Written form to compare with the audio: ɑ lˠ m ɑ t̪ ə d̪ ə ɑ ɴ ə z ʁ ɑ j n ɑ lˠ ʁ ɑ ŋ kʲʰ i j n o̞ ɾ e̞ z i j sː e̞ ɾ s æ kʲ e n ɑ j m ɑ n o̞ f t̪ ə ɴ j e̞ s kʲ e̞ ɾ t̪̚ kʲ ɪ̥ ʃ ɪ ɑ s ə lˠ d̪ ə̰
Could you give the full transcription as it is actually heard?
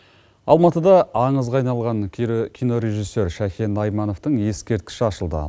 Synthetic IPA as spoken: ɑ lˠ m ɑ t̪ ə d̪ ɑ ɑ ɴ ə z ʁ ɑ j n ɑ lˠ ʁ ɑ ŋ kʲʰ i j n o̞ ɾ e̞ ʒ i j sː e̞ ɾ ʃ æ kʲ e n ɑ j m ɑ n o̞ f t̪ ə ɴ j e̞ s kʲ e̞ ɾ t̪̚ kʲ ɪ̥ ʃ ɪ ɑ ʃ ə lˠ d̪ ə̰